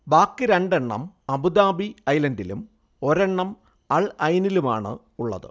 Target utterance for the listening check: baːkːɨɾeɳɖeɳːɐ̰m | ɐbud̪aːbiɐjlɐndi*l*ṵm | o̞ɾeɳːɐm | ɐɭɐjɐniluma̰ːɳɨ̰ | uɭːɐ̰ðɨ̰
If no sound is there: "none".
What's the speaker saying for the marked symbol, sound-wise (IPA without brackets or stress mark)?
l